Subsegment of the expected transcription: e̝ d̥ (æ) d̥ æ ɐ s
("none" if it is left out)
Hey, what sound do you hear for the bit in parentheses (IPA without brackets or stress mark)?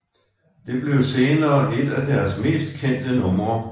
æ